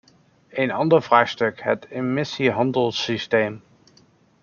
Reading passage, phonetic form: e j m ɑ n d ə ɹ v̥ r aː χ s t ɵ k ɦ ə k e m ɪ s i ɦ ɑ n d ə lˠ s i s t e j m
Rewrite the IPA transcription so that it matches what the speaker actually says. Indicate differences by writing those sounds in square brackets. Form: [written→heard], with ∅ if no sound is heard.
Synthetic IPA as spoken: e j [m→n] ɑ n d ə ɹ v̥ r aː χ s t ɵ k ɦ ə [k→t] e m ɪ s i ɦ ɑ n d ə lˠ s i s t e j m